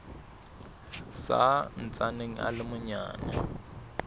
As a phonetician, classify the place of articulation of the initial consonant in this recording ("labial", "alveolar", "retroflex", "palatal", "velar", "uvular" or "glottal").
alveolar